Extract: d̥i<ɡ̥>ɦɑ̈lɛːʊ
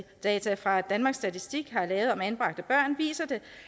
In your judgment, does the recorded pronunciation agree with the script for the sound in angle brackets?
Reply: yes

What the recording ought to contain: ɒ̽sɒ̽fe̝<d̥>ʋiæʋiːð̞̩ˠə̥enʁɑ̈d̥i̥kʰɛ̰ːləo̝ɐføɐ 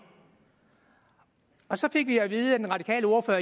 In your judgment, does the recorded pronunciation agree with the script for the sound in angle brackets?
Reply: no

